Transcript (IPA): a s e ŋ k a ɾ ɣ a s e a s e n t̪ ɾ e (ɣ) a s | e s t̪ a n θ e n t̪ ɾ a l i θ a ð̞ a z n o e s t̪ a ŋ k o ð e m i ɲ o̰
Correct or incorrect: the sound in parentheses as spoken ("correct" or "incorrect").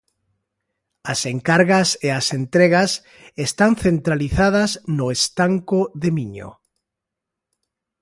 correct